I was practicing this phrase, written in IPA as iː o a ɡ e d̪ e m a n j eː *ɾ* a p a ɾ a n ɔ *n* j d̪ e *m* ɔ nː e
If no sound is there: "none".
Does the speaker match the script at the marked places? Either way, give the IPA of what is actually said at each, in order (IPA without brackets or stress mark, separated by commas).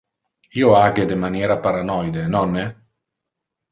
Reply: ɾ, none, n